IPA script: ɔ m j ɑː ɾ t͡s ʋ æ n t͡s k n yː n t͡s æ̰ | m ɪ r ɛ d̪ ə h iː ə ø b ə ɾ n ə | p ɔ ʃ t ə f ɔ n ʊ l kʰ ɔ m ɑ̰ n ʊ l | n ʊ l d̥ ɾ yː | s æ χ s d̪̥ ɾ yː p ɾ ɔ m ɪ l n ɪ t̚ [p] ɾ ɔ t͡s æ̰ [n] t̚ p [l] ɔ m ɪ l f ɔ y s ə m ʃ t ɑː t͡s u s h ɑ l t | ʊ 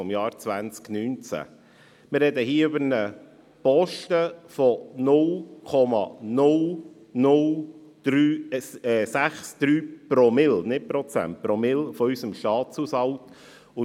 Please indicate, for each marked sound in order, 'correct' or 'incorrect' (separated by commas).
correct, correct, incorrect